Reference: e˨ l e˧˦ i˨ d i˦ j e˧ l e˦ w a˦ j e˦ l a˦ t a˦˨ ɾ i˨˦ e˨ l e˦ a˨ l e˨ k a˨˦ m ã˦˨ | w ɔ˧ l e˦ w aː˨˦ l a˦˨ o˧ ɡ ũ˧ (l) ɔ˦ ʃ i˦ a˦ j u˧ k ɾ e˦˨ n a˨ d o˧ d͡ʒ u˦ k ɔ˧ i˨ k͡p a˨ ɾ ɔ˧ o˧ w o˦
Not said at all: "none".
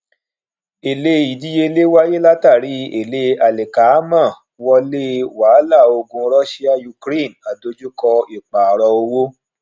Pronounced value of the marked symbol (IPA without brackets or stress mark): ɾ